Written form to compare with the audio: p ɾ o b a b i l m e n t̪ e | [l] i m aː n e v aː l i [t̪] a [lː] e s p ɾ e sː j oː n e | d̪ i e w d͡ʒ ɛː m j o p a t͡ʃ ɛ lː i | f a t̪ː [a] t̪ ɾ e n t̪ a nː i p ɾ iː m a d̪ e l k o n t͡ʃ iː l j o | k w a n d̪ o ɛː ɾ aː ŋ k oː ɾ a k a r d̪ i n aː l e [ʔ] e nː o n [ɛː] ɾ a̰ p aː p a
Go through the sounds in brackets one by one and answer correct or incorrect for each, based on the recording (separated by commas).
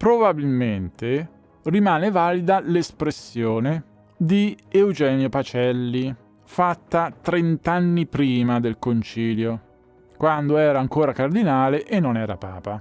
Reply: incorrect, incorrect, incorrect, correct, correct, correct